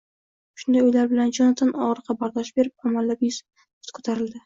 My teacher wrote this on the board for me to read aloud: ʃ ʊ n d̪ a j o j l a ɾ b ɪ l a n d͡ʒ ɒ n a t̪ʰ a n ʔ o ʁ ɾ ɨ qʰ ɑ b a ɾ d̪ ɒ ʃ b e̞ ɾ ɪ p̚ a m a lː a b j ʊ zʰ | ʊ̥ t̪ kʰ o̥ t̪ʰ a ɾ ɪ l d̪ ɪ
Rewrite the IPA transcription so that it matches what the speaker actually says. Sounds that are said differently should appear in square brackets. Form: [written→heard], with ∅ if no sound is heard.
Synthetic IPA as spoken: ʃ ʊ n d̪ a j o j l a ɾ b ɪ l a n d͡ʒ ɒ n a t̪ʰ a n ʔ [o→ɒ] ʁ ɾ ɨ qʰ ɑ b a ɾ d̪ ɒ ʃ b e̞ ɾ ɪ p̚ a m a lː a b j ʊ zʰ | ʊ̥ t̪ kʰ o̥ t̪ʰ a ɾ ɪ l d̪ ɪ

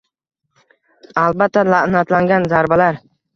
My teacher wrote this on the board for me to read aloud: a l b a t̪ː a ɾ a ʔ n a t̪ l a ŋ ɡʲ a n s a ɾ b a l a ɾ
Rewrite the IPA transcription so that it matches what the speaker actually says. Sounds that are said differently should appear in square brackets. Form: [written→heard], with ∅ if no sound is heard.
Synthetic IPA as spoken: a l b a t̪ː a [ɾ→l] a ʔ n a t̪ l a ŋ ɡʲ a n [s→z] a ɾ b a l a ɾ

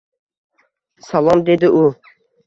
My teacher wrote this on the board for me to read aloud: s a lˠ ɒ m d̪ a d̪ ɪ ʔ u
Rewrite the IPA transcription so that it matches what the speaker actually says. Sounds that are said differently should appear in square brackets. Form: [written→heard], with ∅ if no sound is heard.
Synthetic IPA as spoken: s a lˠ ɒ m d̪ [a→e] d̪ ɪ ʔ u

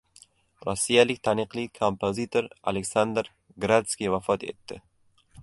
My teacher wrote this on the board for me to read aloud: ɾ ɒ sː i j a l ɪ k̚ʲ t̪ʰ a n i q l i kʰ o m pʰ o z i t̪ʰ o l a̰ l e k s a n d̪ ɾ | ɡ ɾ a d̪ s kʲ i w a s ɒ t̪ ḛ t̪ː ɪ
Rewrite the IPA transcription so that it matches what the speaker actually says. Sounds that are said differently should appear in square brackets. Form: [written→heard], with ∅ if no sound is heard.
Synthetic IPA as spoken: ɾ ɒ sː i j a l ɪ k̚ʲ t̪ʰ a n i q l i kʰ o m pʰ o z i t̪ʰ o [l→ɾ] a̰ l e k s a n d̪ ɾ | ɡ ɾ a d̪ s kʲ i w a [s→f] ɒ t̪ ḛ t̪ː ɪ

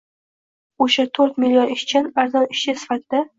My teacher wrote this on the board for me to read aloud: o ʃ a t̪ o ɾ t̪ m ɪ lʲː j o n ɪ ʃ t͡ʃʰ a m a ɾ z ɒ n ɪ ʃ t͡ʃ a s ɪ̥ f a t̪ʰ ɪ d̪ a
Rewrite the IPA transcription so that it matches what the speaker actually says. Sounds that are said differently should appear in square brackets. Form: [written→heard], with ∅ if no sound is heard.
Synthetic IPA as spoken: o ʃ a [t̪→t̪ʰ] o ɾ t̪ m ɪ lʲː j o n ɪ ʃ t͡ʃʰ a [m→n] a ɾ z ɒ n ɪ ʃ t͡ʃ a s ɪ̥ f a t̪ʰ ɪ d̪ a

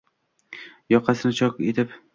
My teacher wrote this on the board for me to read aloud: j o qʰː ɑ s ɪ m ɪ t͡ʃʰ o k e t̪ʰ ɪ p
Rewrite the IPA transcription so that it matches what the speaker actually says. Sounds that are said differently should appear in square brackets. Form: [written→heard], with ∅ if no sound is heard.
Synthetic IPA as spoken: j [o→ɒ] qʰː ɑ s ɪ [m→n] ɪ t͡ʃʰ [o→ɒ] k e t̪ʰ ɪ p

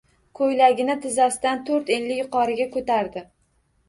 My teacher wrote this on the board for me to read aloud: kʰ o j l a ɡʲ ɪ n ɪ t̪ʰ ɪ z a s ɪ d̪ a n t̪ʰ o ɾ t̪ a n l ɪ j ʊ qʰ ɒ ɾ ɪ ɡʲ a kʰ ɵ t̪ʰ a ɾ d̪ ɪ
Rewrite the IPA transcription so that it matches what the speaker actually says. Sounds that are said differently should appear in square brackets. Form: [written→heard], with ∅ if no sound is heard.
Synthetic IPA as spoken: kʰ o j l a ɡʲ ɪ n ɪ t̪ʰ ɪ z a s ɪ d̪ a n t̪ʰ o ɾ t̪ [a→e] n l ɪ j ʊ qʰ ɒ ɾ ɪ ɡʲ a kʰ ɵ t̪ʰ a ɾ d̪ ɪ

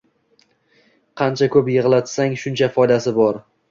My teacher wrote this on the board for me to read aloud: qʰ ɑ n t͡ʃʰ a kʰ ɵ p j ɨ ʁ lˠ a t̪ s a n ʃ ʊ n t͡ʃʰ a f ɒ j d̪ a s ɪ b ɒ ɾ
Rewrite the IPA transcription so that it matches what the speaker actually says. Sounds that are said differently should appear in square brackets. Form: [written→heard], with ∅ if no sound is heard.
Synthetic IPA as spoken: qʰ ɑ n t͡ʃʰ a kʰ ɵ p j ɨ ʁ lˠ a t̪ s a [n→ŋ] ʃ ʊ n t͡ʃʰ a f ɒ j d̪ a s ɪ b ɒ ɾ

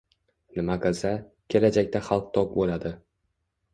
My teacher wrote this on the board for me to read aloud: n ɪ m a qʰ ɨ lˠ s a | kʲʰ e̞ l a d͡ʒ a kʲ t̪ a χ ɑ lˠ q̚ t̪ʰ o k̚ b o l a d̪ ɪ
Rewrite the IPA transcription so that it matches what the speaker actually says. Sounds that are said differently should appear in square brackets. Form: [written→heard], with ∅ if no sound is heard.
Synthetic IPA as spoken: n ɪ m a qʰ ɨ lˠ s a | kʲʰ e̞ l a d͡ʒ a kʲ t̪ a χ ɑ lˠ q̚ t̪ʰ [o→ɒ] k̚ b o l a d̪ ɪ

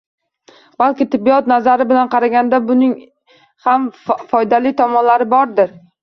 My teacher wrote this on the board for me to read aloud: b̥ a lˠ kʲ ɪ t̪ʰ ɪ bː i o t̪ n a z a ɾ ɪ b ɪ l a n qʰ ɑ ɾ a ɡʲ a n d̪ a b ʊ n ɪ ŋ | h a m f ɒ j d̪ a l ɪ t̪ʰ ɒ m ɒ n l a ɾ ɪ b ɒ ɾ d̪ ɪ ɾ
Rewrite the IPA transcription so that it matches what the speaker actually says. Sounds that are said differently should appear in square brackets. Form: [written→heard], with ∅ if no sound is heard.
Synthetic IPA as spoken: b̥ a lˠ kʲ ɪ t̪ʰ ɪ bː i [o→ɒ] t̪ n a z a ɾ ɪ b ɪ l a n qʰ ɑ ɾ a ɡʲ a n d̪ a b ʊ n ɪ ŋ | h a m f ɒ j d̪ a l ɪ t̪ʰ ɒ m ɒ n l a ɾ ɪ b ɒ ɾ d̪ ɪ ɾ

